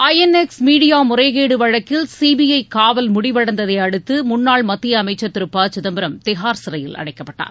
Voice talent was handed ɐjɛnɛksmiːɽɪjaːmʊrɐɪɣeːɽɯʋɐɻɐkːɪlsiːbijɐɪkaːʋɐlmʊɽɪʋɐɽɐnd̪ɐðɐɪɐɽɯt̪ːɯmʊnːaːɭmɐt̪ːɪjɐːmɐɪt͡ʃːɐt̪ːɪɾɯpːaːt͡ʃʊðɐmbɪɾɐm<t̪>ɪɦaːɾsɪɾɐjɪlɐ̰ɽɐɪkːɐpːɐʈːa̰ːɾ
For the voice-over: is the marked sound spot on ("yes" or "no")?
yes